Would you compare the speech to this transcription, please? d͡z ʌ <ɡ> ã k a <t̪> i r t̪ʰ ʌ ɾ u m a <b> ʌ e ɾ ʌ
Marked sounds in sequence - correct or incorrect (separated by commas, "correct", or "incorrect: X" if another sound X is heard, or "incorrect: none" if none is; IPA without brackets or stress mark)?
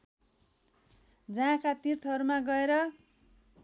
incorrect: none, correct, incorrect: ɡ